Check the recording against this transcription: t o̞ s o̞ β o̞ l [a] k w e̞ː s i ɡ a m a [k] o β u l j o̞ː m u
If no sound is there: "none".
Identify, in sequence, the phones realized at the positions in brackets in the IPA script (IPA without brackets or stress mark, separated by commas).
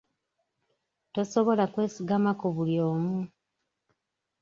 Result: a, k